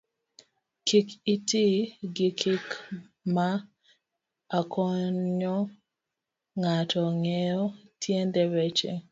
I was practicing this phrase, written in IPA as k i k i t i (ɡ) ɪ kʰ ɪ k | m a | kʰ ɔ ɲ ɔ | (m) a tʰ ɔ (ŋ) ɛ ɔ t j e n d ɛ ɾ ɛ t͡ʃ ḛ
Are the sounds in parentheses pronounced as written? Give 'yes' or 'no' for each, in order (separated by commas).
yes, no, yes